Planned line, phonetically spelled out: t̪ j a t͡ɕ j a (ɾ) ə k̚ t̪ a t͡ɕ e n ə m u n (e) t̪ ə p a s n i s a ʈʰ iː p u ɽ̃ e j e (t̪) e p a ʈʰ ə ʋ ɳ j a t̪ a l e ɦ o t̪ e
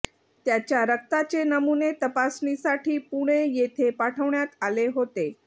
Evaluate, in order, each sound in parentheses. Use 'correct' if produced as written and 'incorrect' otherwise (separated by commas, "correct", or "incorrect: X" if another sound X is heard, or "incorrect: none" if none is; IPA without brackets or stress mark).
correct, correct, incorrect: t̪ʰ